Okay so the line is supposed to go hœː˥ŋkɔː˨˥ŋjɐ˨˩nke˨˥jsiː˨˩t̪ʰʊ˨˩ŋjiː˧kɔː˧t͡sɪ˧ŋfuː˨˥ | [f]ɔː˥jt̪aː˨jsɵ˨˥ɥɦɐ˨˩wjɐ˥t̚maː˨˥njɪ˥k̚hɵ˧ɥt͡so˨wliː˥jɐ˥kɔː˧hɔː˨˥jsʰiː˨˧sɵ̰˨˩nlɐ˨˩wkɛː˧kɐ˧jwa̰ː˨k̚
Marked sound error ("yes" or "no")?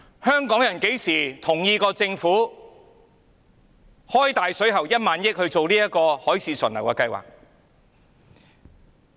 yes